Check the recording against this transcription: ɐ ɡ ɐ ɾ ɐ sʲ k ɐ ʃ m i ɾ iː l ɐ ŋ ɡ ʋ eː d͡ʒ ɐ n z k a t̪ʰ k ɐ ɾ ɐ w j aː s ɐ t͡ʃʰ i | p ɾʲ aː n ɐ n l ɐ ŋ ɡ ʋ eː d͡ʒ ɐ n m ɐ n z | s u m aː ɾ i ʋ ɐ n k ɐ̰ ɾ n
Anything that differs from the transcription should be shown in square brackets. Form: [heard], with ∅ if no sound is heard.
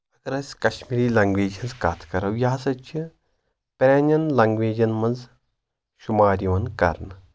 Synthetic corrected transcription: ɐ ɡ ɐ ɾ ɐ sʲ k ɐ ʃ m i ɾ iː l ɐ ŋ ɡ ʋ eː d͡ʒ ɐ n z k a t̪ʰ k ɐ ɾ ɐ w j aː s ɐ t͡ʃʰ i | p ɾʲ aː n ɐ n l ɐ ŋ ɡ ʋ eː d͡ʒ ɐ n m ɐ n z | [ʃ] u m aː ɾ i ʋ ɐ n k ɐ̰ ɾ n